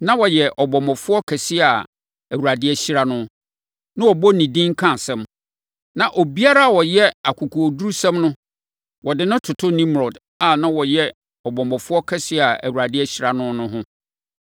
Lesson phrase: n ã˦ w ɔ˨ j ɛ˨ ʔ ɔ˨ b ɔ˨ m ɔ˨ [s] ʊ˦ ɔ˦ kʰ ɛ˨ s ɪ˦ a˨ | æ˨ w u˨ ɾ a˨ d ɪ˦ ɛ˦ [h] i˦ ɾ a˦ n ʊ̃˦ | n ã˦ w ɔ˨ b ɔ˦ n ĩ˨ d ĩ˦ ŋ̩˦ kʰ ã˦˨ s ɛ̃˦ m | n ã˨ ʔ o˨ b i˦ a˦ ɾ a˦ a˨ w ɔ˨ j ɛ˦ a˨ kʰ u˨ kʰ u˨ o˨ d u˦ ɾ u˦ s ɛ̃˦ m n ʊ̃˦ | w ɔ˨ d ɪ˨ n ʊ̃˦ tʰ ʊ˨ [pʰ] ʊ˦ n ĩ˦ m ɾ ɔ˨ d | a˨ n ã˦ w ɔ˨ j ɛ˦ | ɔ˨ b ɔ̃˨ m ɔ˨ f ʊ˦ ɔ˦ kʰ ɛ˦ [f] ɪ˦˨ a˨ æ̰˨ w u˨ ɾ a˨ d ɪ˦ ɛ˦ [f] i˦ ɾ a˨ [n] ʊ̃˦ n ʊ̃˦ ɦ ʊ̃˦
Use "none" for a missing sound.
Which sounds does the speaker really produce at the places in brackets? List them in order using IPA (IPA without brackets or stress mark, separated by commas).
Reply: f, ɕ, tʰ, s, ɕ, n